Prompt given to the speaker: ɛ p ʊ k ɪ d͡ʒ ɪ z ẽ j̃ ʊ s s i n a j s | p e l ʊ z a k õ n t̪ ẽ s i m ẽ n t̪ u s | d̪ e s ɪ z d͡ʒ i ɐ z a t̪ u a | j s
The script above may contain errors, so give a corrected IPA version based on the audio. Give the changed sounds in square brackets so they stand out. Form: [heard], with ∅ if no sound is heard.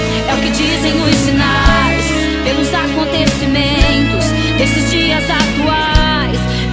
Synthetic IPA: ɛ [∅] ʊ k ɪ d͡ʒ [i] z ẽ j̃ ʊ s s i n a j s | p e l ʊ z a k õ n t̪ [e] s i m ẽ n t̪ [ʊ] s | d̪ e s ɪ z d͡ʒ i ɐ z a t̪ u a | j s